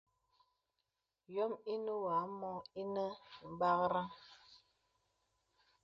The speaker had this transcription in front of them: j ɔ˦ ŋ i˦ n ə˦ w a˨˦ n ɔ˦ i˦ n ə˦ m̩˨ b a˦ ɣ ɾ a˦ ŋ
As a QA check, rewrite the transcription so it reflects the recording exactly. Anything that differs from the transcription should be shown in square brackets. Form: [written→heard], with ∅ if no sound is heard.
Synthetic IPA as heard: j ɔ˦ [ŋ→m] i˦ n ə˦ w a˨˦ [n→m] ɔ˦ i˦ n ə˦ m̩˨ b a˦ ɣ ɾ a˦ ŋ